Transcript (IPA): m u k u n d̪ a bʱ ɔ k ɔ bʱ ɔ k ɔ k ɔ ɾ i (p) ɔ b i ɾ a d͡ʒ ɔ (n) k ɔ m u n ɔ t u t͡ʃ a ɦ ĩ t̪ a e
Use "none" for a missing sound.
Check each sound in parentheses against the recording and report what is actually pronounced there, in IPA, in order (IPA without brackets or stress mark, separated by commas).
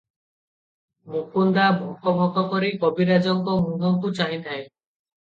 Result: k, ŋ